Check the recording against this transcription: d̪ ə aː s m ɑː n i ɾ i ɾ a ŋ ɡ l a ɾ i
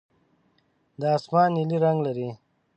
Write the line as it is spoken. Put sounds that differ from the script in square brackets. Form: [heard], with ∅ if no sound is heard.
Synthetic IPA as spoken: d̪ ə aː s m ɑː n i [l] i ɾ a ŋ ɡ l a ɾ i